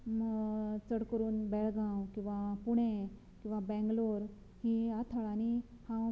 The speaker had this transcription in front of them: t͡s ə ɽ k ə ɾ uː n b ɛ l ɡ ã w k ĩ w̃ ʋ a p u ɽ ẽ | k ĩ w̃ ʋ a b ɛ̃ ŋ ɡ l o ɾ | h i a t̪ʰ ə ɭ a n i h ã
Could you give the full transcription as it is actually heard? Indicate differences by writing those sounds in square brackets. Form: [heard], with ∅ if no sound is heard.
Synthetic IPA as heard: t͡s ə ɽ k ə ɾ uː n b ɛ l ɡ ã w k ĩ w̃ ʋ a p u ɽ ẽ | k ĩ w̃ ʋ a b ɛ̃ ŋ ɡ l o ɾ | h i a t̪ʰ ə ɭ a n i h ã

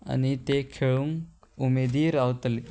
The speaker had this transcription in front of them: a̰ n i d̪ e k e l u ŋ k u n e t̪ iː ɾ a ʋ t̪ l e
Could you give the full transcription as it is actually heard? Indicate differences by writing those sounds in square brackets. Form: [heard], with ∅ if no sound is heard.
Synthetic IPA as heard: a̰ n i [t̪] e [kʰ] e [ɭ] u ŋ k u [m] e [d̪] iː ɾ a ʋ t̪ l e

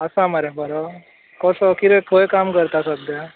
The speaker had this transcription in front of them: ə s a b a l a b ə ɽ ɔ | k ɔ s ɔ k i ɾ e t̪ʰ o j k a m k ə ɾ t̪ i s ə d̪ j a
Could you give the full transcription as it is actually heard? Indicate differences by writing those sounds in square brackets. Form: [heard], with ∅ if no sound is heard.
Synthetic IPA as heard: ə s a [m] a [ɾ] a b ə [ɾ] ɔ | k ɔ s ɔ k i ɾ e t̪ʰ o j k a m k ə ɾ t̪ [a] s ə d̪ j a

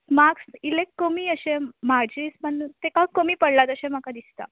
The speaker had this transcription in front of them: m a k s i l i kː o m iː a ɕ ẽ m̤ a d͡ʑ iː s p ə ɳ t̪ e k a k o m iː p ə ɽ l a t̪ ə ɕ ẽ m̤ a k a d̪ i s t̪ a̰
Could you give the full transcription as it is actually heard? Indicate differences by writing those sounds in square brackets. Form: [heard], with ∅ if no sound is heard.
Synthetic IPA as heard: m a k s i l [e] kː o m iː [ə] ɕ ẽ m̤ a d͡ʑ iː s p ə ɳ t̪ e k a k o m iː p ə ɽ l a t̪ ə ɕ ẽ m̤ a k a d̪ i s t̪ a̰

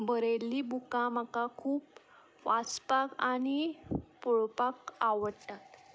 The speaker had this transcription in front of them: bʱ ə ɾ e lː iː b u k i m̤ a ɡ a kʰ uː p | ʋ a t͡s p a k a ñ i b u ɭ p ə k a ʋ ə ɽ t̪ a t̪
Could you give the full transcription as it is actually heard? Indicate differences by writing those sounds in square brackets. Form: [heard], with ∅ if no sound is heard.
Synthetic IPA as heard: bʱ ə ɾ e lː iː b u k [a] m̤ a [k] a kʰ uː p | ʋ a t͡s p a k a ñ i [p] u ɭ p [a] k a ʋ ə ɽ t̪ a t̪

